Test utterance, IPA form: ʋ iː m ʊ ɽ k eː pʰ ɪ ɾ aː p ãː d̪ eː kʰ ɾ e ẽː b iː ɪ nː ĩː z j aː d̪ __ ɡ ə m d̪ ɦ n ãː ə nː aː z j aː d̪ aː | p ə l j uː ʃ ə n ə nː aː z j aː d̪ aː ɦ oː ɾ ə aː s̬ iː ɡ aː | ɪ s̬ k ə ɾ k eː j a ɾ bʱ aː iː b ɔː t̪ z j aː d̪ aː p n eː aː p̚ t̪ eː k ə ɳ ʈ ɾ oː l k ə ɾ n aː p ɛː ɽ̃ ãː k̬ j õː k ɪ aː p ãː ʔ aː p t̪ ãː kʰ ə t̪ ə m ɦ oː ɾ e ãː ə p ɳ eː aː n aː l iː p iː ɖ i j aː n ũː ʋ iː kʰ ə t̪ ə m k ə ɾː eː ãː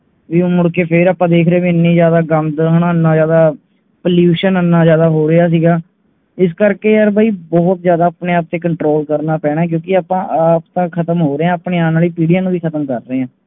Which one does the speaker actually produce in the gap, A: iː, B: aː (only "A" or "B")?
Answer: B